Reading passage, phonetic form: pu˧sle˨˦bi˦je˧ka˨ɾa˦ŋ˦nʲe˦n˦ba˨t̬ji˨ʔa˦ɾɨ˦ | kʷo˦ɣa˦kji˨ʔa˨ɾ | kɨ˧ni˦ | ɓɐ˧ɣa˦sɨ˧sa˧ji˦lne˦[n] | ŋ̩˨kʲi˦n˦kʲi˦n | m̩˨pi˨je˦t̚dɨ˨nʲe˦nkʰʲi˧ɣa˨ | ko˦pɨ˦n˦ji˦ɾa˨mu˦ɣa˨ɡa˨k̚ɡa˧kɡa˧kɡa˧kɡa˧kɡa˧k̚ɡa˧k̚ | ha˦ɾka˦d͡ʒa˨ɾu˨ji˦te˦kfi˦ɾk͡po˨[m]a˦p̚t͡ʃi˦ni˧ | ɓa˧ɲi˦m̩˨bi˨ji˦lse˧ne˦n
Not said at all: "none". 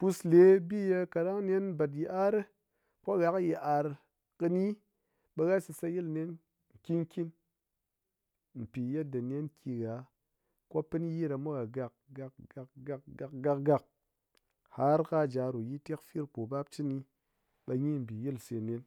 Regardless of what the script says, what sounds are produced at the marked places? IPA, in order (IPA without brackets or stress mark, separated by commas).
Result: n, b